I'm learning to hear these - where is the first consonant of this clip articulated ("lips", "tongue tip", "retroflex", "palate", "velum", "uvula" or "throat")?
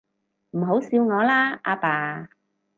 lips